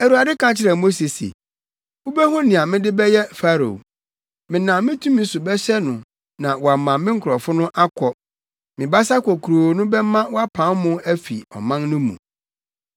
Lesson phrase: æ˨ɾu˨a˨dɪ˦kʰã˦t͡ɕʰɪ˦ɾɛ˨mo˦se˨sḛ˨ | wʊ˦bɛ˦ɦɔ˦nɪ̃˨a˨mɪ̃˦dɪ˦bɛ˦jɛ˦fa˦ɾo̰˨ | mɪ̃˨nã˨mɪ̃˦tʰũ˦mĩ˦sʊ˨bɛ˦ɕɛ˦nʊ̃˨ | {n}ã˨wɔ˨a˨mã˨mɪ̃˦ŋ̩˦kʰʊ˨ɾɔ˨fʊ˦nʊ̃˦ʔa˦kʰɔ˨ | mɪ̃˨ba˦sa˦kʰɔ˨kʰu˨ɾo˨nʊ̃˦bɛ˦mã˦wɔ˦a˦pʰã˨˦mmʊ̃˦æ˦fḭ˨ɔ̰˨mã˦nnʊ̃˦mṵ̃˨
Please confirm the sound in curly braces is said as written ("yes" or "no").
yes